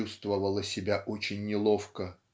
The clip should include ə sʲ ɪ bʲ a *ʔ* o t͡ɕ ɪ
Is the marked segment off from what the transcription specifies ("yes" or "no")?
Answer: no